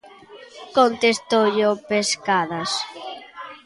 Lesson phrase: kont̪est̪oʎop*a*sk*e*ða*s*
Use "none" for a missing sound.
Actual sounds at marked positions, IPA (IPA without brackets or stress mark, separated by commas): e, a, s